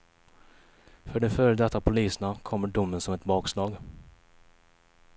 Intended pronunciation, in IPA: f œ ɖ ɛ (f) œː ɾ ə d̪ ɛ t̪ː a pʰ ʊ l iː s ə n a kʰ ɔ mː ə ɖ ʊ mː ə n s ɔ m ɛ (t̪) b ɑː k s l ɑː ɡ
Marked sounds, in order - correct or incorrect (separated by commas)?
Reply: correct, correct